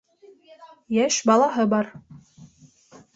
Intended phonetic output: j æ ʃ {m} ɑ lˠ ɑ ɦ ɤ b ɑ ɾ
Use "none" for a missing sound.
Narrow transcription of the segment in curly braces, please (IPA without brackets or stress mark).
b